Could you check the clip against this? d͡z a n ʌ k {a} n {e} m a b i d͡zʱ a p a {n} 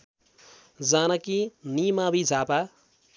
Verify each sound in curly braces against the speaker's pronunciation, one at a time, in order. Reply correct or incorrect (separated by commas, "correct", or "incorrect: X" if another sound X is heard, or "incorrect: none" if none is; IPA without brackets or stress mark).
incorrect: i, incorrect: i, incorrect: none